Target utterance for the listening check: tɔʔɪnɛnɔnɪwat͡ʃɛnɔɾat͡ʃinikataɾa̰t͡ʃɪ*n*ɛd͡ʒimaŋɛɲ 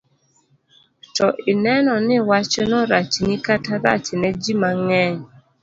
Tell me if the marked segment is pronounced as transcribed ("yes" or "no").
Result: yes